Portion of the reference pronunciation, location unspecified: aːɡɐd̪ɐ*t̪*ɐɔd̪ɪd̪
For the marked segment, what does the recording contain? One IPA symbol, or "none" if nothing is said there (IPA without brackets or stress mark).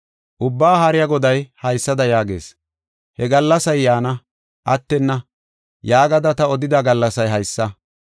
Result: t̪